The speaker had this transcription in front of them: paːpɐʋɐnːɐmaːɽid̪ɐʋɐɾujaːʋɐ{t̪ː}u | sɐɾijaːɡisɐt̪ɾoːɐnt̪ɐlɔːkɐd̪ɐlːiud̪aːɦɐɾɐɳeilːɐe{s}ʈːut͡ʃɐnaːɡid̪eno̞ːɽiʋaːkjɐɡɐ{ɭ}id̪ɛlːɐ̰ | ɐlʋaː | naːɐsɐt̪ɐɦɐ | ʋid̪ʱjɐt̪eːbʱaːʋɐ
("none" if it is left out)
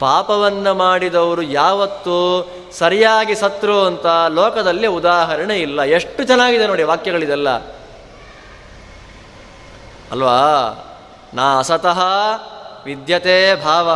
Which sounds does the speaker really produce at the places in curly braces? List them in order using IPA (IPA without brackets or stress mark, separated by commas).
t̪ː, ʂ, ɭ